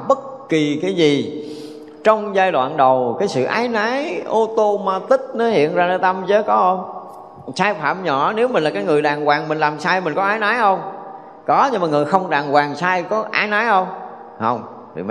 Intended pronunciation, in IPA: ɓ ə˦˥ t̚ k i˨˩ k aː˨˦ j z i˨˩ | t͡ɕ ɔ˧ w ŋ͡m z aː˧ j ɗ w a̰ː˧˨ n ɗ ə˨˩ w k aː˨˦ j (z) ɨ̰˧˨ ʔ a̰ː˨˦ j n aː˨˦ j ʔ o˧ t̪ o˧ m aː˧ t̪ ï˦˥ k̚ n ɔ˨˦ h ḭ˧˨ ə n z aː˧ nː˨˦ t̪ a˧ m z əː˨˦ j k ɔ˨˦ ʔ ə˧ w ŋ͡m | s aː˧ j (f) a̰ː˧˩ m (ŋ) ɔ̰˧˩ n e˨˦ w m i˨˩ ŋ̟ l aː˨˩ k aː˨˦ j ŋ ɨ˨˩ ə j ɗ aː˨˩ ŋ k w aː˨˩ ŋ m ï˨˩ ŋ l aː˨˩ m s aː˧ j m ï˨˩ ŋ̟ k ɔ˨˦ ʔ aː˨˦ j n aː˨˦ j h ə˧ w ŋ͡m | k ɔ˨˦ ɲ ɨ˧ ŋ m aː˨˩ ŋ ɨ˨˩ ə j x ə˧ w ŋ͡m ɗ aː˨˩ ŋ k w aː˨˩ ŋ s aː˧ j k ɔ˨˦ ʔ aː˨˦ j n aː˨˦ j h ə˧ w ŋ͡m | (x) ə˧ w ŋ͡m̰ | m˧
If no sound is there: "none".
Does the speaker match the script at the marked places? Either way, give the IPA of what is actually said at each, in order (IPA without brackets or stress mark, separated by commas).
s, f, ɲ, h